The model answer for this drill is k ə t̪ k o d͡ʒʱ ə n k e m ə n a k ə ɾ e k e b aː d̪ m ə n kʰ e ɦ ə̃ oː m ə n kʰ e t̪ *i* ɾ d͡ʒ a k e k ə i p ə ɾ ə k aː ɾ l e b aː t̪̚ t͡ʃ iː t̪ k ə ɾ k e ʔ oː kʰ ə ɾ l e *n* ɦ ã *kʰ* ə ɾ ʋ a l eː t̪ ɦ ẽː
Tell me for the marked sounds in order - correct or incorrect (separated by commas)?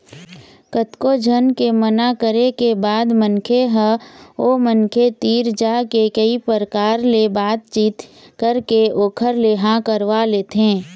incorrect, incorrect, incorrect